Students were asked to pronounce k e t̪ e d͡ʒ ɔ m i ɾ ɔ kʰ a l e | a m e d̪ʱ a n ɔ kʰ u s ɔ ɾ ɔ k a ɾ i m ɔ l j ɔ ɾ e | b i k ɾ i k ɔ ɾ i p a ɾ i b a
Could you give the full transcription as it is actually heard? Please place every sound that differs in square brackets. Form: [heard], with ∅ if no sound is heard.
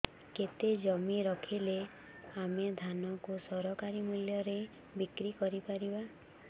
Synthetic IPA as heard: k e t̪ e d͡ʒ ɔ m i ɾ ɔ kʰ [i] l e | a m e d̪ʱ a n ɔ [k] u s ɔ ɾ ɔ k a ɾ i m [u] l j ɔ ɾ e | b i k ɾ i k ɔ ɾ i p a ɾ i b a